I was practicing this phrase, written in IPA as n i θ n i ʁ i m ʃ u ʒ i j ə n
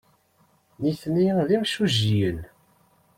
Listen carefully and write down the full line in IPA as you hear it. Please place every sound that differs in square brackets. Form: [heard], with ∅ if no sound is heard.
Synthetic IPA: n i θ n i [ð] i m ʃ u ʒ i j ə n